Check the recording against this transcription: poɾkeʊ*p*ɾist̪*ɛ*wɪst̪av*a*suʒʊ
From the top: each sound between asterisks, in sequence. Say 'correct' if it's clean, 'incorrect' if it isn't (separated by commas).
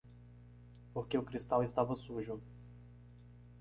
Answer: incorrect, incorrect, incorrect